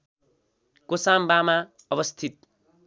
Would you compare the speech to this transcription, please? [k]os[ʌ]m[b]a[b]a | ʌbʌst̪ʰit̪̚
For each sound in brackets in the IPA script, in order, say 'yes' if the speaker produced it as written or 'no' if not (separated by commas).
yes, no, yes, no